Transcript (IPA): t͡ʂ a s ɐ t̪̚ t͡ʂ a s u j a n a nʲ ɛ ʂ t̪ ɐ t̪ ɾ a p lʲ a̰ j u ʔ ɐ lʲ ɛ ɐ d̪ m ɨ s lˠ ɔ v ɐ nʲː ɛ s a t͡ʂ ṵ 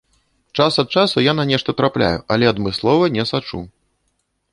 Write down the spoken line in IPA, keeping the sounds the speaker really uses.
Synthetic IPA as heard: t͡ʂ a s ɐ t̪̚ t͡ʂ a s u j a n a nʲ ɛ ʂ t̪ ɐ t̪ ɾ a p lʲ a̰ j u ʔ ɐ lʲ ɛ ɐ d̪ m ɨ s lˠ ɔ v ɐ nʲ ɛ s a t͡ʂ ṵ